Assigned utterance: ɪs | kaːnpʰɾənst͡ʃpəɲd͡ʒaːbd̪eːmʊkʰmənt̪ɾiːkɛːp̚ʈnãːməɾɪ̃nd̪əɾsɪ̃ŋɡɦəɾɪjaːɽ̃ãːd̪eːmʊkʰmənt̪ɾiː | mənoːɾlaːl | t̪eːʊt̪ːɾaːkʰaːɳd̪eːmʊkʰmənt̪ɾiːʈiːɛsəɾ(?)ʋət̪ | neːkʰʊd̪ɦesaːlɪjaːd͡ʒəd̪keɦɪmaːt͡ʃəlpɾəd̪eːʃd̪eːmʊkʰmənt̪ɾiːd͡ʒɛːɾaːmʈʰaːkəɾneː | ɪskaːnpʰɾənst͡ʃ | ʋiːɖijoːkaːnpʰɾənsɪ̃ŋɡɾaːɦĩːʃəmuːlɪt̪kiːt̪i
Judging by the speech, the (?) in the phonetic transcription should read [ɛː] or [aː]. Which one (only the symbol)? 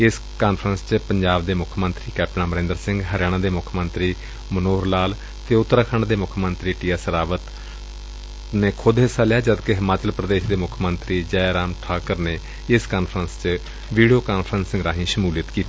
aː